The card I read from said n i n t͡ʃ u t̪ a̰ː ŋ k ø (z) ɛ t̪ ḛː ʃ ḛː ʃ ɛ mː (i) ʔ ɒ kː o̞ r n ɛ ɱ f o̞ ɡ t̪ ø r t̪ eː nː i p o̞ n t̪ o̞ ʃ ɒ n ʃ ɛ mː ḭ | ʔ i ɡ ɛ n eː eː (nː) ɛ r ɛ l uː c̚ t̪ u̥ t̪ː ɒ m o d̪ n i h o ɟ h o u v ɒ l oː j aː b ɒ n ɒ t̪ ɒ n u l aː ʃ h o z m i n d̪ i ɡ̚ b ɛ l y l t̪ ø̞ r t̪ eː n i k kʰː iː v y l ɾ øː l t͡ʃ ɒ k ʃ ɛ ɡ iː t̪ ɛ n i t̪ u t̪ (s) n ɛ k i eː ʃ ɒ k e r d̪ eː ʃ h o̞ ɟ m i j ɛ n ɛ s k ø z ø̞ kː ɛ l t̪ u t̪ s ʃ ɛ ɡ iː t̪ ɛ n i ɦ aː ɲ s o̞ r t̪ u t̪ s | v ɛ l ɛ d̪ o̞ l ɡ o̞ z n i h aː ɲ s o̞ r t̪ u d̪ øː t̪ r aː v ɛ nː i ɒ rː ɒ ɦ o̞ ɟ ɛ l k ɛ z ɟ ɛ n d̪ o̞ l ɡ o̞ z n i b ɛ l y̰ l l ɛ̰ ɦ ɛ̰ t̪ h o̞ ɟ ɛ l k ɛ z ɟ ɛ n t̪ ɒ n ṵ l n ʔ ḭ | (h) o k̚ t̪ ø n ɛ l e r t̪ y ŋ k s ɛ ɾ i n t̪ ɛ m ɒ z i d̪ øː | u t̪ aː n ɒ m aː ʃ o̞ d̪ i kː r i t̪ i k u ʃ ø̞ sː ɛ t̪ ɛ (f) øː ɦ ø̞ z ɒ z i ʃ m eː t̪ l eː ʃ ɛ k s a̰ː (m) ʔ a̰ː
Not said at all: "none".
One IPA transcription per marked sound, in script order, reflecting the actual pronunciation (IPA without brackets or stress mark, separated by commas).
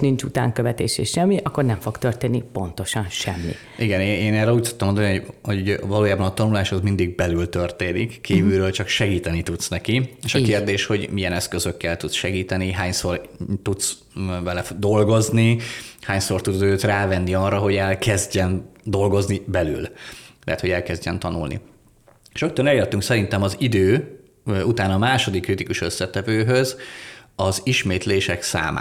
v, i, n, s, ʃ, v, m